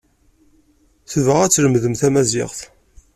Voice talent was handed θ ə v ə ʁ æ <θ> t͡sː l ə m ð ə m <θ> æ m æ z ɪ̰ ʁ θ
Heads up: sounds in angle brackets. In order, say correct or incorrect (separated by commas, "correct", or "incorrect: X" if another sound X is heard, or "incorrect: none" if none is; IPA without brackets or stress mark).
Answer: incorrect: none, correct